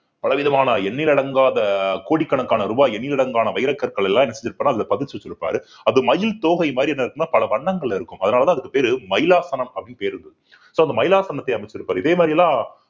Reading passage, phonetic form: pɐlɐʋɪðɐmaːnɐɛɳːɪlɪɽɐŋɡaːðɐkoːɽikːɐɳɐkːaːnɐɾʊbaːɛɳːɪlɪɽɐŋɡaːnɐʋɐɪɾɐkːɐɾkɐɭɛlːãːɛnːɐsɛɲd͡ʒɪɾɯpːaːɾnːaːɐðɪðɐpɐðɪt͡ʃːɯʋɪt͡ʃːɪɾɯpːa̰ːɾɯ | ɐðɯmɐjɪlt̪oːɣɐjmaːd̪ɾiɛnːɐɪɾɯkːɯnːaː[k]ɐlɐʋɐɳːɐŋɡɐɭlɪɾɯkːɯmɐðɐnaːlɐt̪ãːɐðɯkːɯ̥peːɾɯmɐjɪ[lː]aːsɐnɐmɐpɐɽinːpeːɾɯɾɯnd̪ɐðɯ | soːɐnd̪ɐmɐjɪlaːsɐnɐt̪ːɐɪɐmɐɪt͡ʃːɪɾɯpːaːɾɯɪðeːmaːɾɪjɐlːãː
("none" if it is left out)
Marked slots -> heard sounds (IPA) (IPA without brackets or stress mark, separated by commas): p, l